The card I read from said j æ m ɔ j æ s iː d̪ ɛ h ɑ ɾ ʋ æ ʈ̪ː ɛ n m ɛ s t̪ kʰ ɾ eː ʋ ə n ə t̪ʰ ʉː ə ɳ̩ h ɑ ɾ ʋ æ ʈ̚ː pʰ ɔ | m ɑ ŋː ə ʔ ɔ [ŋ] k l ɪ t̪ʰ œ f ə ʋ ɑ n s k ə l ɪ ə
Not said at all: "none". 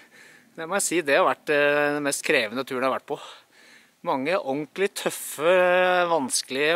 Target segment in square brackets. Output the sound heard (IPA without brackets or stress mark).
ŋ